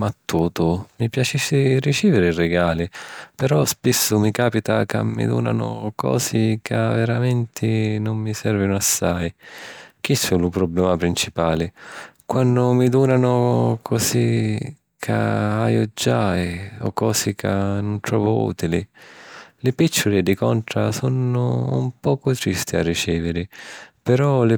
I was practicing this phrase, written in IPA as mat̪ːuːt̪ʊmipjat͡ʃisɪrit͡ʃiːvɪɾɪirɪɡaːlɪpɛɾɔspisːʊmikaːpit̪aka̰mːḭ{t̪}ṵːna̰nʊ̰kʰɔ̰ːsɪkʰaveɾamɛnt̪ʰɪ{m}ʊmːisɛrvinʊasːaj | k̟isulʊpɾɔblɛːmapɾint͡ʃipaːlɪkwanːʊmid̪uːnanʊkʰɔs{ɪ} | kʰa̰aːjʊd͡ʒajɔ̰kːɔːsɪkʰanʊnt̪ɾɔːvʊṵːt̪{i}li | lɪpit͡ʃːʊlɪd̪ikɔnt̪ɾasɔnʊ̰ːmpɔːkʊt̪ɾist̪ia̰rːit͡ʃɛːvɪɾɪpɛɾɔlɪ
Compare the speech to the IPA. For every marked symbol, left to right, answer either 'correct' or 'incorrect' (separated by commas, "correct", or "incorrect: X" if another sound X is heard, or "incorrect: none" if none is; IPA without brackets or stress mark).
incorrect: d̪, incorrect: n, incorrect: i, correct